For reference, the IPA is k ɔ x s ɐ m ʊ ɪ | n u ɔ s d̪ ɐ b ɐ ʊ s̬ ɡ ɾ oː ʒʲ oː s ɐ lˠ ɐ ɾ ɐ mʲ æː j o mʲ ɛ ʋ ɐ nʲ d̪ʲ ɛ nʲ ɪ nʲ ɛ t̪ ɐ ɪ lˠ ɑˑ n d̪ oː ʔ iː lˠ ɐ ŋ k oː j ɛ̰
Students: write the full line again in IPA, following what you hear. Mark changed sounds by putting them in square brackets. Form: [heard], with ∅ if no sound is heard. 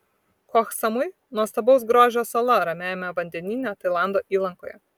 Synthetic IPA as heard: k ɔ x s ɐ m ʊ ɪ | n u ɔ s [t̪] ɐ b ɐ ʊ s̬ ɡ ɾ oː ʒʲ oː s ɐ lˠ ɐ ɾ ɐ mʲ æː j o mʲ ɛ ʋ ɐ nʲ d̪ʲ ɛ nʲ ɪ nʲ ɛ t̪ ɐ ɪ lˠ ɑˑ n d̪ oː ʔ iː lˠ ɐ ŋ k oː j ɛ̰